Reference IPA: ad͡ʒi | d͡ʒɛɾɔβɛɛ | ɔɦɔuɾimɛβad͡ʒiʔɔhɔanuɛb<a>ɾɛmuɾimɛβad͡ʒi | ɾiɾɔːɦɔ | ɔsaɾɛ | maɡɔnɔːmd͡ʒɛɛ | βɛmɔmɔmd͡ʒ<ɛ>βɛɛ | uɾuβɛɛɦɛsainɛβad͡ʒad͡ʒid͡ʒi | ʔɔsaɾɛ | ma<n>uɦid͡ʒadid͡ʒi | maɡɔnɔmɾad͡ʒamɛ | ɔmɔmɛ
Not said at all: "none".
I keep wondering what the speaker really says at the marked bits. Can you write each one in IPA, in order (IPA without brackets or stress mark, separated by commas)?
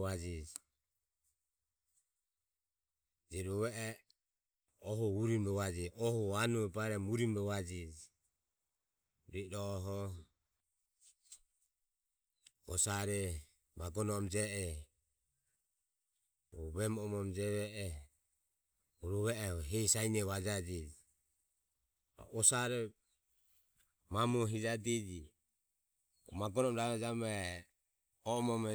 a, ɛ, m